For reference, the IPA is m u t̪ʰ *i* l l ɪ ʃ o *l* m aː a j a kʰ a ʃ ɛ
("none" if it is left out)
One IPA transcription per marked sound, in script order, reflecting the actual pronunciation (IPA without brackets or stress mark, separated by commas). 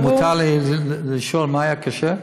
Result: a, l